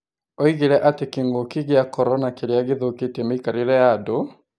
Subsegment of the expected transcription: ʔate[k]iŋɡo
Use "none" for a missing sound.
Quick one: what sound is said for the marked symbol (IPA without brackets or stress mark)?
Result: k